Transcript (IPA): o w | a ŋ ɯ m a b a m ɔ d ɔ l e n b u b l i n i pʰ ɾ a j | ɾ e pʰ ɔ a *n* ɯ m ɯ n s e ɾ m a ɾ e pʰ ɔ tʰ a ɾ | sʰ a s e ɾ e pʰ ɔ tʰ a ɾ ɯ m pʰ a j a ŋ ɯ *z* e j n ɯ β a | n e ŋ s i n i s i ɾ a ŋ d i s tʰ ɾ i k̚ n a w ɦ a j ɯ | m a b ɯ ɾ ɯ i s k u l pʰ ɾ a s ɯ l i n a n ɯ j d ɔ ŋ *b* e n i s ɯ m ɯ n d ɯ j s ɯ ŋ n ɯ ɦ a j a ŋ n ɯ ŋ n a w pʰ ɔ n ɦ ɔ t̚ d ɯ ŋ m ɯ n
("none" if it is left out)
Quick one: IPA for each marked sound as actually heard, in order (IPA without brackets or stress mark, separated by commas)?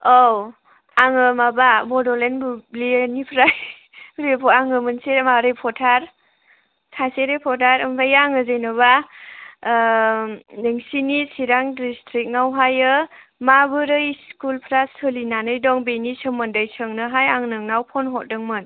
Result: ŋ, z, b